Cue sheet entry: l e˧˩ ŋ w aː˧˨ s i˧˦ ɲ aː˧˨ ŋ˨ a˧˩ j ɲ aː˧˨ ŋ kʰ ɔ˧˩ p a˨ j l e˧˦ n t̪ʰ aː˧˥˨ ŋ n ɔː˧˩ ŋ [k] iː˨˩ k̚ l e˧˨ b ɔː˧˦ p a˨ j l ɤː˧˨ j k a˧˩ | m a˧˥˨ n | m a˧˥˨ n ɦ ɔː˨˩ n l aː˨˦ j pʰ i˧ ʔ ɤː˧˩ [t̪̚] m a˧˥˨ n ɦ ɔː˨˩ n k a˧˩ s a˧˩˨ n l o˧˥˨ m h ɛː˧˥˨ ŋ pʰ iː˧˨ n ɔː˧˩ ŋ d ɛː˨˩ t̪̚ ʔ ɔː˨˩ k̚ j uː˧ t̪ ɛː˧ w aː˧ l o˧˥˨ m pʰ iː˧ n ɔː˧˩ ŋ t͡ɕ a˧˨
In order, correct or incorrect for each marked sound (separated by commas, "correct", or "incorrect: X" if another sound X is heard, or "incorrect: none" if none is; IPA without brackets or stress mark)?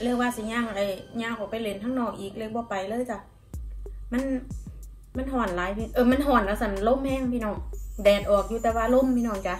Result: incorrect: ʔ, incorrect: none